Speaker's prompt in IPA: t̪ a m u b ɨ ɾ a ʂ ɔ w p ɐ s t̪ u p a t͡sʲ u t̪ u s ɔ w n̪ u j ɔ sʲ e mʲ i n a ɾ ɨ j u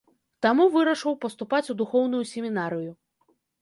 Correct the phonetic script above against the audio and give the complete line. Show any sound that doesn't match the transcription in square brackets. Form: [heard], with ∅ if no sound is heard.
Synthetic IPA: t̪ a m u [v] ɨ ɾ [ɐ] ʂ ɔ w p ɐ s t̪ u p a t͡sʲ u [d̪] u [x] ɔ w n̪ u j [u] sʲ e mʲ i n a ɾ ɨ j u

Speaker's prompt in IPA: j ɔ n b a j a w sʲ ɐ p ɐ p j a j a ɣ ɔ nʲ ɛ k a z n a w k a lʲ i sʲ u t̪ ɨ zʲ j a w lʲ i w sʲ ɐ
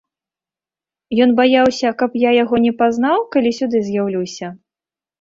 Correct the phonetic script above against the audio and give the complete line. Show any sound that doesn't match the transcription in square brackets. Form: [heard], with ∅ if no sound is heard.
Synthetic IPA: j ɔ n b a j a w sʲ ɐ [k] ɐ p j a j a ɣ ɔ nʲ ɛ [p] a z n a w k a lʲ i sʲ u [d̪] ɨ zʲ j a w lʲ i w sʲ ɐ

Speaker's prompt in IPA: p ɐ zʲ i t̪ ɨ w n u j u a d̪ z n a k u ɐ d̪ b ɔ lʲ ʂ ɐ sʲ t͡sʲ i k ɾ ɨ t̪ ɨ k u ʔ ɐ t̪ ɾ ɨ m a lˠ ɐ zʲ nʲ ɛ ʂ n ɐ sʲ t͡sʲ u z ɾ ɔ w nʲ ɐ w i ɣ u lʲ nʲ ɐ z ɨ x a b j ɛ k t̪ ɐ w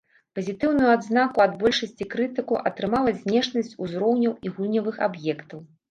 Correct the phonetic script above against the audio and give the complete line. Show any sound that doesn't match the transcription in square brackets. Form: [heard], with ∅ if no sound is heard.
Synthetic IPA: p ɐ zʲ i t̪ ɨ w n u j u a d̪ z n a k u ɐ d̪ b ɔ lʲ ʂ ɐ sʲ t͡sʲ i k ɾ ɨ t̪ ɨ k u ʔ ɐ t̪ ɾ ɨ m a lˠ ɐ zʲ nʲ ɛ ʂ n ɐ sʲ t͡sʲ u z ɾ ɔ w nʲ ɐ w i ɣ u lʲ nʲ ɐ [v] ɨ x a b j ɛ k t̪ ɐ w

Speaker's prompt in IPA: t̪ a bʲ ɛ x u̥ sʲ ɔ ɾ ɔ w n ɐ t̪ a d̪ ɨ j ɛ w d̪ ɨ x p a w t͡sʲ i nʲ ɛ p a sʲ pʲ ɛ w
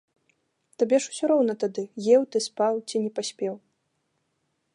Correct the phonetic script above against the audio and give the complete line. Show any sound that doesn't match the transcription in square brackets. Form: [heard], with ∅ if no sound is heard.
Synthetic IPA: t̪ a bʲ ɛ [ʂ] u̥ sʲ ɔ ɾ ɔ w n ɐ t̪ a d̪ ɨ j ɛ w [t̪] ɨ [s] p a w t͡sʲ i nʲ ɛ p a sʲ pʲ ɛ w

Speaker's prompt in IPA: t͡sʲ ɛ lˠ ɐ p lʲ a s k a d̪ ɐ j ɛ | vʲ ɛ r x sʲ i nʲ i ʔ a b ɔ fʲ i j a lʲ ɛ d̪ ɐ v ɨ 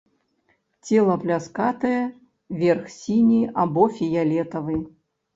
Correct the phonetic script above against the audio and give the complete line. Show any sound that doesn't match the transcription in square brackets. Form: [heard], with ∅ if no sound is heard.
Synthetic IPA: t͡sʲ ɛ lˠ ɐ p lʲ a s k a [t̪] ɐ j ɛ | vʲ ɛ r x sʲ i nʲ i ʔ a b ɔ fʲ i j a lʲ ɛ [t̪] ɐ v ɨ

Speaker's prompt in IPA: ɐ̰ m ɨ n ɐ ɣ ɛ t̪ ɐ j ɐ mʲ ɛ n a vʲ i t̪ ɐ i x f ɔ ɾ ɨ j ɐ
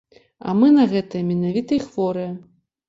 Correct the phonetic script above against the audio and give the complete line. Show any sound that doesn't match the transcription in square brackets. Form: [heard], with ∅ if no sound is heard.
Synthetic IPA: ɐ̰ m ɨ n ɐ ɣ ɛ t̪ ɐ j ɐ mʲ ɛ n a vʲ i t̪ ɐ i x [v] ɔ ɾ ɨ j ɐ

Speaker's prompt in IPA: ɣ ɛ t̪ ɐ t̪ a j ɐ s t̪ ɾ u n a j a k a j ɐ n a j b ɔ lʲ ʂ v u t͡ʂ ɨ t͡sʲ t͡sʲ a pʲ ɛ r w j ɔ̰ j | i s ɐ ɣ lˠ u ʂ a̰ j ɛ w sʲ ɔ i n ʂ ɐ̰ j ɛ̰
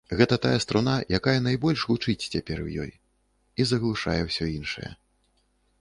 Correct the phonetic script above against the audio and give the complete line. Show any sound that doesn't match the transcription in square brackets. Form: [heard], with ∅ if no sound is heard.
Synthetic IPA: ɣ ɛ t̪ ɐ t̪ a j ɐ s t̪ ɾ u n a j a k a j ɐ n a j b ɔ lʲ ʂ v u t͡ʂ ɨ t͡sʲ t͡sʲ a pʲ ɛ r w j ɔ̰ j | i [z] ɐ ɣ lˠ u ʂ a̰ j ɛ w sʲ ɔ i n ʂ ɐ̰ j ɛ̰

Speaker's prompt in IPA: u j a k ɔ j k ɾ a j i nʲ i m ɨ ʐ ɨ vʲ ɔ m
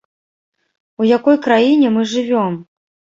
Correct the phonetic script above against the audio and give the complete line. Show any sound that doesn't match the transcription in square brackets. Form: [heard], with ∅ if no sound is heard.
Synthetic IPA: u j a k ɔ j k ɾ a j i nʲ [ɛ] m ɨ ʐ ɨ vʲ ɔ m

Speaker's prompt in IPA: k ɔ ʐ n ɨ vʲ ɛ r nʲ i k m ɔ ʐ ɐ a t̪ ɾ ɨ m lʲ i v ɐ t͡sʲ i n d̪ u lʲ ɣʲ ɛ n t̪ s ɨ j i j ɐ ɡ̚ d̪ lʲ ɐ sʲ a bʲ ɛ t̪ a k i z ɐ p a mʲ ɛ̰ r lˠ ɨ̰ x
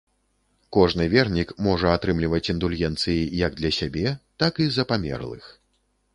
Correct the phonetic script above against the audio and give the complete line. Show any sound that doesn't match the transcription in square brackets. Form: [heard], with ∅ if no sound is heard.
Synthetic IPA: k ɔ ʐ n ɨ vʲ ɛ r nʲ i k m ɔ ʐ ɐ a t̪ ɾ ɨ m lʲ i v ɐ t͡sʲ i n d̪ u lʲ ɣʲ ɛ n t̪ s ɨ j i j ɐ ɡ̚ d̪ lʲ ɐ sʲ a bʲ ɛ t̪ a k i z ɐ p a mʲ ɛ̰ r lˠ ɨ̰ x

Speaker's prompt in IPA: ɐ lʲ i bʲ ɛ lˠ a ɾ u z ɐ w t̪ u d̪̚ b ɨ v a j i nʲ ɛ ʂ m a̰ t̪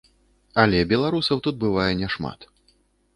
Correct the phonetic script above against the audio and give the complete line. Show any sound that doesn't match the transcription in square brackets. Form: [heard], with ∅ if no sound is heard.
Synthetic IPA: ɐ lʲ [ɛ] bʲ ɛ lˠ a ɾ u [s] ɐ w t̪ u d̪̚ b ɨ v a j [ɛ] nʲ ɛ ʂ m a̰ t̪

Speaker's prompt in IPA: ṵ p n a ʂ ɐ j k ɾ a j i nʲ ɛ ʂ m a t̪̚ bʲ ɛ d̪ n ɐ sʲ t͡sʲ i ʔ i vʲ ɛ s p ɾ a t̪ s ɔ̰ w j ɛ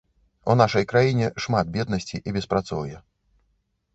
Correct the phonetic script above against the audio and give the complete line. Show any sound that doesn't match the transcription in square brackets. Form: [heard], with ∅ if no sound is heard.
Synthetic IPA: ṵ [∅] n a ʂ ɐ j k ɾ a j i nʲ ɛ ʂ m a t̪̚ bʲ ɛ d̪ n ɐ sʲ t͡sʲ i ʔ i [bʲ] ɛ s p ɾ a t̪ s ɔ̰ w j ɛ

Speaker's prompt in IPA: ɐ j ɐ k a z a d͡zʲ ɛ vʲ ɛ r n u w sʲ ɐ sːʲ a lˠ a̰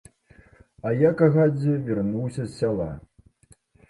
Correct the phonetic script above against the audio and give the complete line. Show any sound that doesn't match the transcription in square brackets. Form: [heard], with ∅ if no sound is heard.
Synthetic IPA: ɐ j [a] k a [ɣ] a d͡zʲ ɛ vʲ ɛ r n u w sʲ ɐ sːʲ a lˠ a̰

